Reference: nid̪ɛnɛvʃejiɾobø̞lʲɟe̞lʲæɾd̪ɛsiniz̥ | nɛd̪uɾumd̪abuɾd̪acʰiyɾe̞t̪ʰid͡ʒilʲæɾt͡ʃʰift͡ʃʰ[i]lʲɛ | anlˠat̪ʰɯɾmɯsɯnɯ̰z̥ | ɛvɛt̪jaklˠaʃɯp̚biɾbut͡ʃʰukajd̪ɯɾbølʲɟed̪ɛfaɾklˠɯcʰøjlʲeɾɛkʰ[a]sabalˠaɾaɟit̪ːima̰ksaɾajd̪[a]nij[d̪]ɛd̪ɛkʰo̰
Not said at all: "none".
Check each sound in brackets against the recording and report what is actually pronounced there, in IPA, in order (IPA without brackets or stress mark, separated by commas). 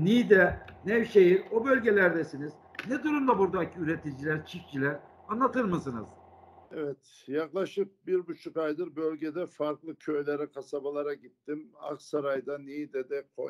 i, a, a, d̪